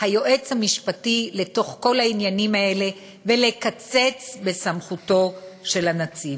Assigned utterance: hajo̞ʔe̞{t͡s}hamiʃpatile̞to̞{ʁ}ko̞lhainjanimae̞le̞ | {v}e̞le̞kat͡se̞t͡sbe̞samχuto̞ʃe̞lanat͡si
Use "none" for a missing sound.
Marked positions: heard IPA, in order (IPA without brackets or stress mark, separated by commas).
t͡s, χ, v